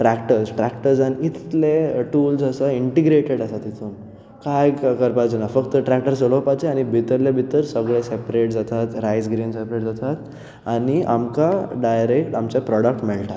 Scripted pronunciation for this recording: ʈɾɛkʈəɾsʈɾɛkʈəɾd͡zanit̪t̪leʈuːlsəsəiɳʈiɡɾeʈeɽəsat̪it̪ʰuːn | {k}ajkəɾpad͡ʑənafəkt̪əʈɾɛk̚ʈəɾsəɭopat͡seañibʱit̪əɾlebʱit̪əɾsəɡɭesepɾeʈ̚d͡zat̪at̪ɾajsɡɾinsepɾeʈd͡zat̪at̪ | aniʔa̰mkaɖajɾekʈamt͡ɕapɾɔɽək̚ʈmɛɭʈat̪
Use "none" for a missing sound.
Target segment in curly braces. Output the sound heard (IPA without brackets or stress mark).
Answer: k